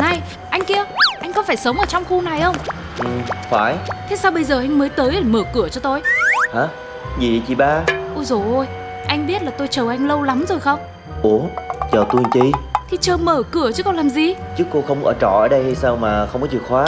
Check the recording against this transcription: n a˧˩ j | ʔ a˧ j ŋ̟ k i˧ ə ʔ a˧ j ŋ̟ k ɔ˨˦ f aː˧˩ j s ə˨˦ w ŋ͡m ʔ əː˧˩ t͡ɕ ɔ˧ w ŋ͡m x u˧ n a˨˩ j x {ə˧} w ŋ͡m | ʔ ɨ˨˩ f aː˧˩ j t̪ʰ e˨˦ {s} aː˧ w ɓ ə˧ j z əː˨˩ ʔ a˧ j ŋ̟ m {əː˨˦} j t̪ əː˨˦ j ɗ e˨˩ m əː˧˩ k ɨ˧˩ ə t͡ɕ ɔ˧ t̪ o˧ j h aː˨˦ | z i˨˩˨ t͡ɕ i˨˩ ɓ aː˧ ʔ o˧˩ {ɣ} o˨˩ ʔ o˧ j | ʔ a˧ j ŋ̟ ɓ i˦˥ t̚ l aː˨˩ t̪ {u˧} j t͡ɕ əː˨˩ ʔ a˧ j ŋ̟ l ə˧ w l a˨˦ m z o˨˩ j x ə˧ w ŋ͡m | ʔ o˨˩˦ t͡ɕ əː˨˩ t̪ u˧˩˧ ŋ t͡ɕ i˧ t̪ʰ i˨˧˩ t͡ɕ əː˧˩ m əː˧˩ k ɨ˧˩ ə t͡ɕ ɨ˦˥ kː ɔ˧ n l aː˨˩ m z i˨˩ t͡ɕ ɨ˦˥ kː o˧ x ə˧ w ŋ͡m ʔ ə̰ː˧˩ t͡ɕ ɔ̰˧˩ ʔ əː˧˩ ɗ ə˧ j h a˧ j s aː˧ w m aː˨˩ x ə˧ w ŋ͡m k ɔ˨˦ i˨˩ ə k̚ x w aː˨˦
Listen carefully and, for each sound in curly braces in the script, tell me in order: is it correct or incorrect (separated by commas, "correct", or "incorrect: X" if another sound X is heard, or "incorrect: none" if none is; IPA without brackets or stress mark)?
correct, correct, correct, incorrect: z, incorrect: o˧